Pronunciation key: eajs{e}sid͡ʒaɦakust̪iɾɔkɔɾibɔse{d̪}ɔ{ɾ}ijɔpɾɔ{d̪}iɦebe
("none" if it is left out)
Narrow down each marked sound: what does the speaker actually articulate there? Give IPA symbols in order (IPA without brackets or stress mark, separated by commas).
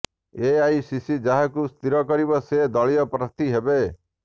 i, d̪, ɭ, t̪